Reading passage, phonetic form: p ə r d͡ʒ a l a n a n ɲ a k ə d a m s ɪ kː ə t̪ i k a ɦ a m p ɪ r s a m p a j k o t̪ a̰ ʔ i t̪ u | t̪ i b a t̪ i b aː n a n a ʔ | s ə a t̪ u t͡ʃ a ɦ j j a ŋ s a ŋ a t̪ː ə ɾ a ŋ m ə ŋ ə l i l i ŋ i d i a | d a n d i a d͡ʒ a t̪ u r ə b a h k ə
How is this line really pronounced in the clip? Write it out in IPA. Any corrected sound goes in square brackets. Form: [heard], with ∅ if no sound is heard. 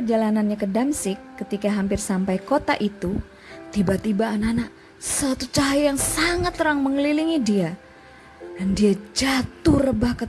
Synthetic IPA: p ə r d͡ʒ a l a n a n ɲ a k ə d a m s ɪ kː ə t̪ i k a ɦ a m p ɪ r s a m p a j k o t̪ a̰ ʔ i t̪ u | t̪ i b a t̪ i b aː n a n a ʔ | s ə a t̪ u t͡ʃ a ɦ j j a ŋ s a ŋ a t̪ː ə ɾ a ŋ m ə ŋ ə l i l i ŋ i d i a | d a n d i a d͡ʒ a t̪ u r ə b a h k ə

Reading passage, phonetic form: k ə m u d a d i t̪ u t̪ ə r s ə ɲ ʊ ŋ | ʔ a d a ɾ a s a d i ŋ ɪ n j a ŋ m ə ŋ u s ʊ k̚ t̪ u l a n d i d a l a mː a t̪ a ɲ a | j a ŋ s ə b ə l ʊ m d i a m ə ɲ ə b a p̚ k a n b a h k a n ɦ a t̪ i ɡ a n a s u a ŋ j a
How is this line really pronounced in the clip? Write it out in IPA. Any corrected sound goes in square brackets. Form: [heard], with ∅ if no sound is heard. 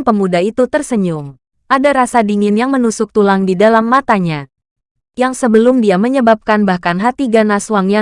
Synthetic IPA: [p] ə m u d a [∅] i t̪ u t̪ ə r s ə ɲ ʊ ŋ | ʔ a d a ɾ a s a d i ŋ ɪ n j a ŋ m ə [n] u s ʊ k̚ t̪ u l a [ŋ] d i d a l a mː a t̪ a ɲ a | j a ŋ s ə b ə l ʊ m d i a m ə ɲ ə b a p̚ k a n b a h k a n ɦ a t̪ i ɡ a n a s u a ŋ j a

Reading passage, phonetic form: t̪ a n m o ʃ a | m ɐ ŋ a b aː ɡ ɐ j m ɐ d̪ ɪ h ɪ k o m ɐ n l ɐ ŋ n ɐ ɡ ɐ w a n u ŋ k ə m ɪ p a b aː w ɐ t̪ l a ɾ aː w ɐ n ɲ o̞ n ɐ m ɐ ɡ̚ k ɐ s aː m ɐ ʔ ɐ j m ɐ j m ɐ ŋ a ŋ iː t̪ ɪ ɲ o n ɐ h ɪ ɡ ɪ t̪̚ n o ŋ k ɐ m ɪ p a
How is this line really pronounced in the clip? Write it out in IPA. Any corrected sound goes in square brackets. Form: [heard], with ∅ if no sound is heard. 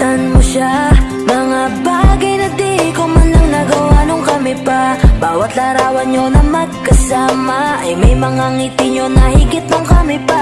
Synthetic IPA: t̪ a n m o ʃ a | m ɐ ŋ a b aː ɡ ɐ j [n] ɐ d̪ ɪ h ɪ k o m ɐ n l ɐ ŋ n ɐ ɡ ɐ w a n [o] ŋ k [ɐ] m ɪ p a b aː w ɐ t̪ l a ɾ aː w ɐ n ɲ o̞ n ɐ m ɐ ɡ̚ k ɐ s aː m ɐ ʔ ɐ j m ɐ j m ɐ ŋ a ŋ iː t̪ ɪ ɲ o n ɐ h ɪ ɡ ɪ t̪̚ n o ŋ k ɐ m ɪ p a

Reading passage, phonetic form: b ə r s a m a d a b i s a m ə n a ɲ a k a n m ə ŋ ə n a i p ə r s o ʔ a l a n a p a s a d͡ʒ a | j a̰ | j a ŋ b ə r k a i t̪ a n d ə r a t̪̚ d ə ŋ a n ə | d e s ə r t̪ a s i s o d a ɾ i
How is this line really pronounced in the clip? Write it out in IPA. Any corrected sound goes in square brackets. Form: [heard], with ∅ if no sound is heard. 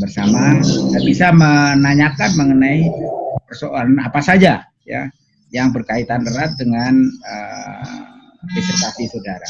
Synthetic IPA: b ə r s a m a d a b i s a m ə n a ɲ a k a n m ə ŋ ə n a i p ə r s o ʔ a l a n a p a s a d͡ʒ a | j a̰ | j a ŋ b ə r k a i t̪ a n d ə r a t̪̚ d ə ŋ a n ə | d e s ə r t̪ a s i s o d a ɾ [a]

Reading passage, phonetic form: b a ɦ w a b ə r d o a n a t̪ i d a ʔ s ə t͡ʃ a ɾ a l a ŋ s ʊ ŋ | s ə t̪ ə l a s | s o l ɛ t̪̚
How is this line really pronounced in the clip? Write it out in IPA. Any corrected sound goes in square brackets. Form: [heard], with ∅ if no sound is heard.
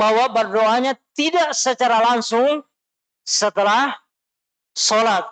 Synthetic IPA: b a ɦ w a b ə r d o a [ɲ] a t̪ i d a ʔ s ə t͡ʃ a ɾ a l a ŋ s ʊ ŋ | s ə t̪ ə l a [h] | s o l [a] t̪̚

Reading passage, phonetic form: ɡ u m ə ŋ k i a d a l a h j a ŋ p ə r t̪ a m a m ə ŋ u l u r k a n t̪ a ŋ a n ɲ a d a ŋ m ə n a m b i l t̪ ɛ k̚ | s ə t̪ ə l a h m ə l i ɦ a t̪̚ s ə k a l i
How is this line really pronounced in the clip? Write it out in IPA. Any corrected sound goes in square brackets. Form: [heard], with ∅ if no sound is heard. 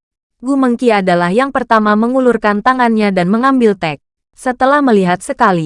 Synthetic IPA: ɡ u m ə ŋ k i a d a l a h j a ŋ p ə r t̪ a m a m ə ŋ u l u r k a n t̪ a ŋ a n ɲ a d a [n] m ə [ŋ] a m b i l t̪ ɛ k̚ | s ə t̪ ə l a h m ə l i ɦ a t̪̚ s ə k a l i

